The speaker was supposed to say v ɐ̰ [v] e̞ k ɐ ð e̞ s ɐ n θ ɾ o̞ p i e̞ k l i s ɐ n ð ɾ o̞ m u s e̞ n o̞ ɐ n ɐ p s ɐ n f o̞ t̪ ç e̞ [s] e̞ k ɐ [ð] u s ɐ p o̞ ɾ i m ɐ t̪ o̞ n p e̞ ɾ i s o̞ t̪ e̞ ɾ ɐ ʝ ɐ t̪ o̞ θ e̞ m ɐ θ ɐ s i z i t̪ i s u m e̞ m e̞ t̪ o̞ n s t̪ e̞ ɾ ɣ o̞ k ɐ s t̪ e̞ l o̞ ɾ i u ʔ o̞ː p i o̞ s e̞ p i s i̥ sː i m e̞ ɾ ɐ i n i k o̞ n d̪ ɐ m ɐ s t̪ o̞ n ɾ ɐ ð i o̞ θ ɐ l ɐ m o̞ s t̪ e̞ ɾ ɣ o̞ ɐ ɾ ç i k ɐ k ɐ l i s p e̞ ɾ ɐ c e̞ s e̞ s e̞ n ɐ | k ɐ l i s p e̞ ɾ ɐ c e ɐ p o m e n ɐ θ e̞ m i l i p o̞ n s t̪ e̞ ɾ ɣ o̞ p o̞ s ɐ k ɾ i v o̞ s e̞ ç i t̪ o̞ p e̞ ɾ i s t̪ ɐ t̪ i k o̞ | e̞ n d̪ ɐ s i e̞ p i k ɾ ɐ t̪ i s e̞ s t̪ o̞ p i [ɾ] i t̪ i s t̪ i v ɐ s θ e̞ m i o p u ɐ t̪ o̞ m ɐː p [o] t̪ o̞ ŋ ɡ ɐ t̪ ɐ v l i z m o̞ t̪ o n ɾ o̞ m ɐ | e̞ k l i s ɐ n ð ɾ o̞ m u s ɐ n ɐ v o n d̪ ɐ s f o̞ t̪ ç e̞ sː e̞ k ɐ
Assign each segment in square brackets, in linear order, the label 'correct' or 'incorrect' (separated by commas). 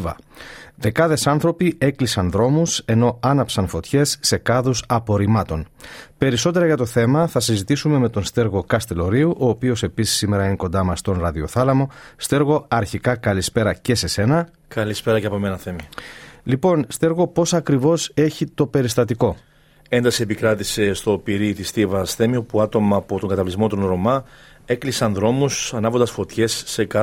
incorrect, incorrect, correct, correct, correct